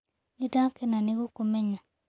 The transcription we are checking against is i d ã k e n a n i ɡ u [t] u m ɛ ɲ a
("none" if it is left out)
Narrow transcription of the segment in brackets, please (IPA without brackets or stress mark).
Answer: k